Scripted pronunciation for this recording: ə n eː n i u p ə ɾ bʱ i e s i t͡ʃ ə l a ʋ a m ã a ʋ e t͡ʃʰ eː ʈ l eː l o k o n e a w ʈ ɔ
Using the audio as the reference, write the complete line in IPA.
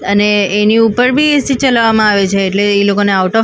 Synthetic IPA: ə n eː n i u p ə ɾ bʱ i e s i t͡ʃ ə l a ʋ a m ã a ʋ e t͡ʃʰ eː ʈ l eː l o k o n e a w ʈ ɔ